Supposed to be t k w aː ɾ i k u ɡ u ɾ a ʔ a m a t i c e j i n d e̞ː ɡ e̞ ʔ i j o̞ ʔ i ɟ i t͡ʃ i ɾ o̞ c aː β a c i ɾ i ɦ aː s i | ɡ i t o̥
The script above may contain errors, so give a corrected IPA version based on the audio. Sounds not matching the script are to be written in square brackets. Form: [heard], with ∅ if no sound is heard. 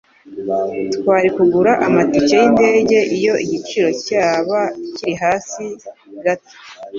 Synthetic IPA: t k w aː ɾ i k u ɡ u ɾ a ʔ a m a t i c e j i n d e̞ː [ɟ] e̞ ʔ i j o̞ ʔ i ɟ i t͡ʃ i ɾ o̞ c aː β a c i ɾ i ɦ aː s i | ɡ [a] t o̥